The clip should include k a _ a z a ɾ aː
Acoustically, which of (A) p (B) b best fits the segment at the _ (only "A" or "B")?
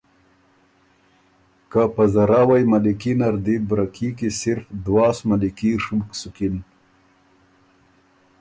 A